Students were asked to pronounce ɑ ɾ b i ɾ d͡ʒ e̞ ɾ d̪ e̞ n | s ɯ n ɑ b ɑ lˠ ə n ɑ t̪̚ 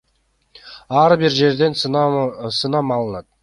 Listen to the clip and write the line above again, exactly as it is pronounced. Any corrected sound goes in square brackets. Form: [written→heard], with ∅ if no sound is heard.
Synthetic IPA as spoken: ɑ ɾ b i ɾ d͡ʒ e̞ ɾ d̪ e̞ n | s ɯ n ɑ [b→m] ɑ lˠ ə n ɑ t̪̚